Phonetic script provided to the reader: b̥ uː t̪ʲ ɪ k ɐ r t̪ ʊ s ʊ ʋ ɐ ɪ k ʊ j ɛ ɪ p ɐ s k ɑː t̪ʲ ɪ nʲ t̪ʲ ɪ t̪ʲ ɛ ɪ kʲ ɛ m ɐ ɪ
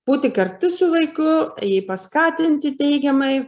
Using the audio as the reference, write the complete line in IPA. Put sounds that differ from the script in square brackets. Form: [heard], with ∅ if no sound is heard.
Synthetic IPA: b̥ uː t̪ʲ ɪ k ɐ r t̪ ʊ s ʊ ʋ ɐ ɪ k ʊ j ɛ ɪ p ɐ s k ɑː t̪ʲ ɪ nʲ t̪ʲ ɪ t̪ʲ ɛ ɪ [ɡʲ] ɛ m ɐ ɪ